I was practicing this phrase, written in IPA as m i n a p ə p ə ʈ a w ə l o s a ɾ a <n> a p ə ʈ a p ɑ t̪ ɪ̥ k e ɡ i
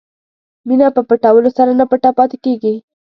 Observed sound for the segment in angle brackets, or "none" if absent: n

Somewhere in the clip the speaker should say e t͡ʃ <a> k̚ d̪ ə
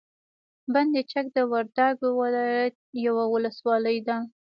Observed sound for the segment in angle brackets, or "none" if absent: a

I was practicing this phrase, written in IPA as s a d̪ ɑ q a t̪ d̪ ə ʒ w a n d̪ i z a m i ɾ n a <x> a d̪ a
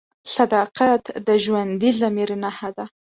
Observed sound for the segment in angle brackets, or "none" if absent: h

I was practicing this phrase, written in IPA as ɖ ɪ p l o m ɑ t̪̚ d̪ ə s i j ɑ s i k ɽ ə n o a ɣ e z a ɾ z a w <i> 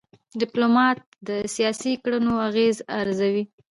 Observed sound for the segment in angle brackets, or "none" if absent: i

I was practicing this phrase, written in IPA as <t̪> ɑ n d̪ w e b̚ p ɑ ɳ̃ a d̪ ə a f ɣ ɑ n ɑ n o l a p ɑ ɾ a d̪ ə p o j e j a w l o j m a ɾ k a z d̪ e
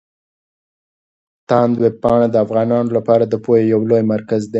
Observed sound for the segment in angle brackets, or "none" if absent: t̪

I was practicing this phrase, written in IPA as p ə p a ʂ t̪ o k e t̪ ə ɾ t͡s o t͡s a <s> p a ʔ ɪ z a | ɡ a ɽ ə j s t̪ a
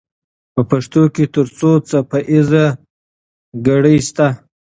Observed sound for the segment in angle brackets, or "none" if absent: none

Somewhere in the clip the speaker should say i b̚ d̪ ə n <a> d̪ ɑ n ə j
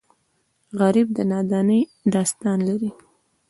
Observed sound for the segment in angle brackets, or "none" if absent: ɑ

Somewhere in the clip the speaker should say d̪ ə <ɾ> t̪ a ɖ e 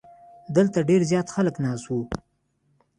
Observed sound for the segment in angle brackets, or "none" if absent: l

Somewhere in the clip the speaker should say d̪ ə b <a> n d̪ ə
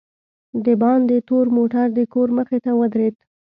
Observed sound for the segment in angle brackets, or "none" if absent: ɑ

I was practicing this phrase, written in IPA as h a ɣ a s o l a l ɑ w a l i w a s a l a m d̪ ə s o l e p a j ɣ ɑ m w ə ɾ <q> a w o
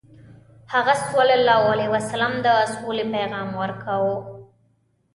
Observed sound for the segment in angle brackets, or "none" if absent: k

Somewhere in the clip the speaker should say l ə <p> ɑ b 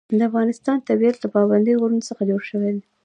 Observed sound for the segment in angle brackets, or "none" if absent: p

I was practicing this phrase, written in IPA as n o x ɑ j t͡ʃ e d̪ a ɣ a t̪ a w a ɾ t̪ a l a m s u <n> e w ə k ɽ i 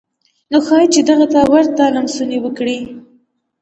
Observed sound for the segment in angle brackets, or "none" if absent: n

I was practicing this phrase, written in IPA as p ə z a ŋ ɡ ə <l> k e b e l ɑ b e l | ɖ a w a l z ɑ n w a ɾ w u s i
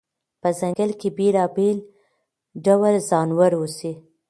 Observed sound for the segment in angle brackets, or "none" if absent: l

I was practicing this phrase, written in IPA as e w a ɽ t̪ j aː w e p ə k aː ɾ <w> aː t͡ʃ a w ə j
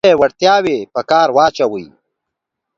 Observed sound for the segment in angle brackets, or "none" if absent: w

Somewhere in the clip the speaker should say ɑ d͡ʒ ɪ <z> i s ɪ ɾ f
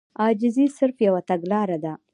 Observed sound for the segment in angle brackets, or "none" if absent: z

